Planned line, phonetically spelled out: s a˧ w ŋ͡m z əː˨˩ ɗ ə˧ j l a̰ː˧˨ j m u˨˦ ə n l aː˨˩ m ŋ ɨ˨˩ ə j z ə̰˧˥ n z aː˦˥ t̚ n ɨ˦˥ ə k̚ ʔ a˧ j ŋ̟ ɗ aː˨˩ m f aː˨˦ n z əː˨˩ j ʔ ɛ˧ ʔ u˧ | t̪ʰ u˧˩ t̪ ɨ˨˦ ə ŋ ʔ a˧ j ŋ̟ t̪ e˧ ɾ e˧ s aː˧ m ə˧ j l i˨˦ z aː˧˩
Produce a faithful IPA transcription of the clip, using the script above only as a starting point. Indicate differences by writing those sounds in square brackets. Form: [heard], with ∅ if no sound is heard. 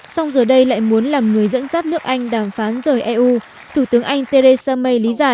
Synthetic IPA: s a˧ w ŋ͡m z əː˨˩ ɗ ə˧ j l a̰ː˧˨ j m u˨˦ ə n l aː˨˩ m ŋ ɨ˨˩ ə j z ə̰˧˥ n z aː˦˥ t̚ n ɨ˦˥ ə k̚ ʔ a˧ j ŋ̟ ɗ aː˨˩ m f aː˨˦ n z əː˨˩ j ʔ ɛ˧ ʔ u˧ | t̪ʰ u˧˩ t̪ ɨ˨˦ ə ŋ ʔ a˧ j ŋ̟ t̪ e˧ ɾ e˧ s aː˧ m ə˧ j l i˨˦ z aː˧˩